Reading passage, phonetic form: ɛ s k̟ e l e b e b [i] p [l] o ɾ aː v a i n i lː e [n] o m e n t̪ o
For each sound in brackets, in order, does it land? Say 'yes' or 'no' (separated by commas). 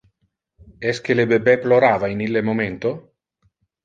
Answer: no, yes, no